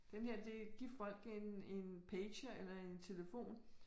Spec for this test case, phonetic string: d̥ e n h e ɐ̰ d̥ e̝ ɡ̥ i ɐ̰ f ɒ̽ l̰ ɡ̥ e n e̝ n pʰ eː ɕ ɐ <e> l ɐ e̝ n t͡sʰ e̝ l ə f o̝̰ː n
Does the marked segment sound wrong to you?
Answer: no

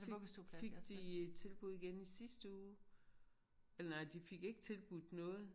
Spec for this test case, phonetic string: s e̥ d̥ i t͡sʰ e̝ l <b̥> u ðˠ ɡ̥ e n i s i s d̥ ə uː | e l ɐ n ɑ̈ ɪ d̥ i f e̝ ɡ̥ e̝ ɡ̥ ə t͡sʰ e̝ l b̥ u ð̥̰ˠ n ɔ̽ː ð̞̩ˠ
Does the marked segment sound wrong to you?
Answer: no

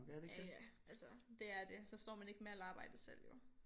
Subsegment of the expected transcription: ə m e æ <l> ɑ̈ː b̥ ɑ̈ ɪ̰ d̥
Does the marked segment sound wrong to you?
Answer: no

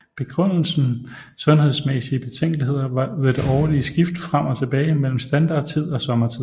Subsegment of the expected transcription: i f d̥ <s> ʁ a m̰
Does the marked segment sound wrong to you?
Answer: yes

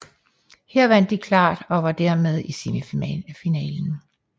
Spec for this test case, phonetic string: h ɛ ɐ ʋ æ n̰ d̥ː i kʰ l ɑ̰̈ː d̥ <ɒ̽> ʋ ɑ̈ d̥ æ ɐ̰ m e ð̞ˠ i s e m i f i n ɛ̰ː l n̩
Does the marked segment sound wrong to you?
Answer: no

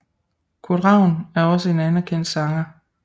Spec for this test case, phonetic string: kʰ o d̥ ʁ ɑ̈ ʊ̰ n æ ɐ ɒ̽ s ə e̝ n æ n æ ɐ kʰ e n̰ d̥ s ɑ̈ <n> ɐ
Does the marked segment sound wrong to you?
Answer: yes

